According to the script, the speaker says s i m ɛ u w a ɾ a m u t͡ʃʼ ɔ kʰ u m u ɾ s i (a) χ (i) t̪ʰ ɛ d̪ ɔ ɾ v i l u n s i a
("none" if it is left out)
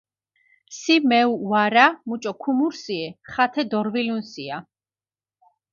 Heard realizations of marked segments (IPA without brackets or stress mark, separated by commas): ɛ, a